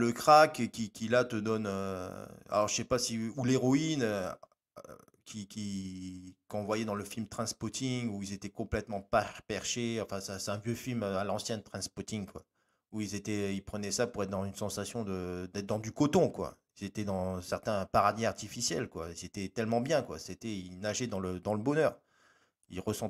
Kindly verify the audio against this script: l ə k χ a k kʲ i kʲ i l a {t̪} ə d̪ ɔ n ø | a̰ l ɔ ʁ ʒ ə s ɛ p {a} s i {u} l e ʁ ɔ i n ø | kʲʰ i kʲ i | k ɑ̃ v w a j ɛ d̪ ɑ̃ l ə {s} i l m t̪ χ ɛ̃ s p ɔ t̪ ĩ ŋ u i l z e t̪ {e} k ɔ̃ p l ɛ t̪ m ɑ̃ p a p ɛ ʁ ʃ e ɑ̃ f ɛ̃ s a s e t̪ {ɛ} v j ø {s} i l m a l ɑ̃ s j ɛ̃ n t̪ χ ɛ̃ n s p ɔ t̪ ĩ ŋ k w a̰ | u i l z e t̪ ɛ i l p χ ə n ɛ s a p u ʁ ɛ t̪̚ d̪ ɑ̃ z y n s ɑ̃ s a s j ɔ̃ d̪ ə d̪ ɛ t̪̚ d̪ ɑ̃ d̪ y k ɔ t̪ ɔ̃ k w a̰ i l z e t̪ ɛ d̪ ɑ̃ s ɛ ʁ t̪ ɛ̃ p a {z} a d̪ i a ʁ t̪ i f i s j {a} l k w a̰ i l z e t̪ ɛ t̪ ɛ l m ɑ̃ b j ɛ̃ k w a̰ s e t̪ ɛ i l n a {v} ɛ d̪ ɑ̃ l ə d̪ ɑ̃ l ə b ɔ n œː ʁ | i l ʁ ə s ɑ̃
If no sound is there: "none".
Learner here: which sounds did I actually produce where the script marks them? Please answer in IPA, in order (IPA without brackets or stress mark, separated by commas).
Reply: t̪, a, u, f, ɛ, ɛ̃, f, ʁ, ɛ, ʒ